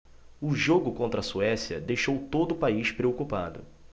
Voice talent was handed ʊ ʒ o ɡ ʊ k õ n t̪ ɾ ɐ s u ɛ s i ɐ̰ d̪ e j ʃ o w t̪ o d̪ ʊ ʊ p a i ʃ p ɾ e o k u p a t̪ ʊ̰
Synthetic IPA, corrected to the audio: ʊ ʒ o ɡ ʊ k õ n t̪ ɾ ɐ s u ɛ s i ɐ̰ d̪ e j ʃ o w t̪ o d̪ ʊ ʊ p a i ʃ p ɾ e o k u p a d̪ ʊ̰

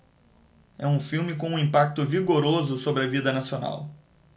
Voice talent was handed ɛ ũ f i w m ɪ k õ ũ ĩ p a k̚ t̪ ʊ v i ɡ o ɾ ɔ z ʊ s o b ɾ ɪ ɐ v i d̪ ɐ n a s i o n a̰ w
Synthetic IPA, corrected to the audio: ɛ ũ f i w m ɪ k õ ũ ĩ p a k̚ t̪ ʊ v i ɡ o ɾ o z ʊ s o b ɾ ɪ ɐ v i d̪ ɐ n a s i o n a̰ w

